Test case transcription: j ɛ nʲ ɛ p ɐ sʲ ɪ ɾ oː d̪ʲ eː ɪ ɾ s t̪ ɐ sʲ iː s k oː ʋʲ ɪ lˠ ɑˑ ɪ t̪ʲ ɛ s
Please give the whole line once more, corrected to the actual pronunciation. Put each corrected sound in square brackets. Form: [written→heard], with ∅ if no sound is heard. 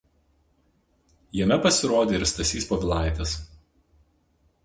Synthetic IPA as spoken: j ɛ [nʲ→mʲ] ɛ p ɐ sʲ ɪ ɾ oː d̪ʲ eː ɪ ɾ s t̪ ɐ sʲ iː s [k→p] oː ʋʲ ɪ lˠ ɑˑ ɪ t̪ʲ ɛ s